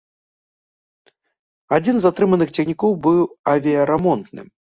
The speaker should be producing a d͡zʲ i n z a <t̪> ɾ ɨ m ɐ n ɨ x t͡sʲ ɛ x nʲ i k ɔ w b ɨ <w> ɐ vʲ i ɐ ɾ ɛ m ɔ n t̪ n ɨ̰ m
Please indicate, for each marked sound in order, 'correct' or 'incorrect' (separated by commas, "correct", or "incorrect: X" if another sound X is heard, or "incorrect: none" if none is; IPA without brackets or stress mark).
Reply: correct, correct